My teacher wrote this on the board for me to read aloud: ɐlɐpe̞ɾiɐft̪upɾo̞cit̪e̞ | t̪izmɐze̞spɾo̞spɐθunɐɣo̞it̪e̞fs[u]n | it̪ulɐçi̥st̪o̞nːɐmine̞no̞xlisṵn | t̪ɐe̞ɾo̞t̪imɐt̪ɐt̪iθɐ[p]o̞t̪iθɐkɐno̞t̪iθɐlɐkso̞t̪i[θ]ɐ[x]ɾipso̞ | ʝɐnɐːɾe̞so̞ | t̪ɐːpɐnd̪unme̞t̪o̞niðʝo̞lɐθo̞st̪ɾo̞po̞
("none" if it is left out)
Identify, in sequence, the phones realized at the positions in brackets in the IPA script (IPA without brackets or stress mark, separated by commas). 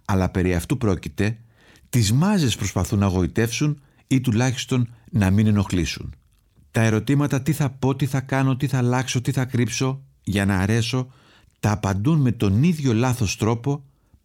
u, p, θ, k